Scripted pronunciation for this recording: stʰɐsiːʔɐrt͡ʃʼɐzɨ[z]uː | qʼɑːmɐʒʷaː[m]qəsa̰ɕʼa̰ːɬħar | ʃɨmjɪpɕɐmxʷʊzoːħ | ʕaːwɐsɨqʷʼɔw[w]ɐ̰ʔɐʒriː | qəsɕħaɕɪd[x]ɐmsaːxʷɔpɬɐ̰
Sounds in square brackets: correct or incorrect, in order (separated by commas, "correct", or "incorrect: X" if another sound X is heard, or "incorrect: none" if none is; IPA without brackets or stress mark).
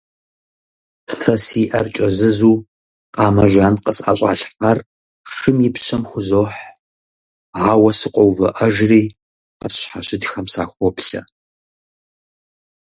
correct, incorrect: n, incorrect: v, correct